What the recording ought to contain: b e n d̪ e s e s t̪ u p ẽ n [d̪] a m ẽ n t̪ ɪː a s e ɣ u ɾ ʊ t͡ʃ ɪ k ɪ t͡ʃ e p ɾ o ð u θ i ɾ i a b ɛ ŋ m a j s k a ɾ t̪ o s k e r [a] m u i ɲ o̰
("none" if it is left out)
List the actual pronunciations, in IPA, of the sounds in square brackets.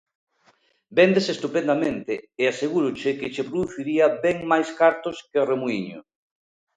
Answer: d̪, e

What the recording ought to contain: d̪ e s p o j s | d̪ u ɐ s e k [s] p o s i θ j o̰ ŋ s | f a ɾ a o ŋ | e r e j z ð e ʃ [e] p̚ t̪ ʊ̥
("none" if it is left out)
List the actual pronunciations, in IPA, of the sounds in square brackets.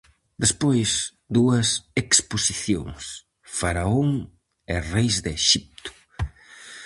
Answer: s, i

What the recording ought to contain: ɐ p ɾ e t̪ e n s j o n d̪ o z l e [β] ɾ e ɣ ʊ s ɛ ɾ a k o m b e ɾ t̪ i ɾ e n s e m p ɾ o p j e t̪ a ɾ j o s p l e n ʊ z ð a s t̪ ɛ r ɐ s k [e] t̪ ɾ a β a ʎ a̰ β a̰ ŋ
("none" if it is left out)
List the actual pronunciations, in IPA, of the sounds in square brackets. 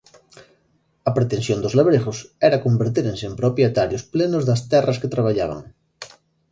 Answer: β, e

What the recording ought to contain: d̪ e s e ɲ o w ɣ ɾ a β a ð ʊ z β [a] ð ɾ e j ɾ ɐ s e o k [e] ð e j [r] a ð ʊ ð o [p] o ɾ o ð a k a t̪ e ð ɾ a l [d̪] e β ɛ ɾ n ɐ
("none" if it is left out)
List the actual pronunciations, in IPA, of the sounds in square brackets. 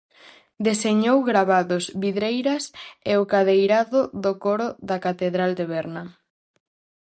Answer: i, a, ɾ, k, d̪

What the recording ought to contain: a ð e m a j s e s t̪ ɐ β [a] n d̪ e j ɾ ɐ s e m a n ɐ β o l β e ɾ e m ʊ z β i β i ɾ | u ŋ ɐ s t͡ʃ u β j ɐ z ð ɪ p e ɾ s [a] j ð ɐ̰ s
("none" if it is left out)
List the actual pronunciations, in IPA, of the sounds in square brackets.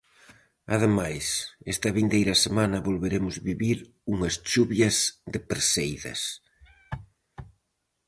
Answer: i, e

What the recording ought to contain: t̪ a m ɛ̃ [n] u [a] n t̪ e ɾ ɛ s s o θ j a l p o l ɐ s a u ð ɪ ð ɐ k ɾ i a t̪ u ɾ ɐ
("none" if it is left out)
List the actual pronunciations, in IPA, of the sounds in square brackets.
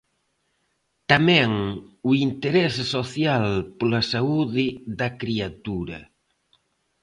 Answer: ŋ, i

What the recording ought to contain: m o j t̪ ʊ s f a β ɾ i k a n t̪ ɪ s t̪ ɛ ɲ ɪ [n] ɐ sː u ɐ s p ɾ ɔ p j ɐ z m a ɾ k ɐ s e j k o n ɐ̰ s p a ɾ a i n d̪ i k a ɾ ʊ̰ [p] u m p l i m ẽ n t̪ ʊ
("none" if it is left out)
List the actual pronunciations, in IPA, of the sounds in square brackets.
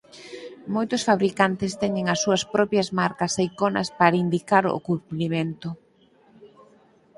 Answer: ŋ, k

